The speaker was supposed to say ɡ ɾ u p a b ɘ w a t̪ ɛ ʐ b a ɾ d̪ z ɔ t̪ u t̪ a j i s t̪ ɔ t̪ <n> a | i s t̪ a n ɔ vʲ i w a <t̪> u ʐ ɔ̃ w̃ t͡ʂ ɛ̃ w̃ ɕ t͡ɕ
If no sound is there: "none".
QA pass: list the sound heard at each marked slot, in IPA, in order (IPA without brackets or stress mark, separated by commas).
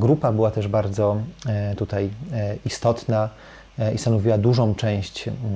n, d̪